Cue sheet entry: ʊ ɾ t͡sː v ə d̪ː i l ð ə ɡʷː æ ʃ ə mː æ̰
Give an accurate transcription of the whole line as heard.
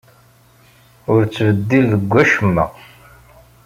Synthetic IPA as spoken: ʊ ɾ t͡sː v ə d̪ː i l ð ə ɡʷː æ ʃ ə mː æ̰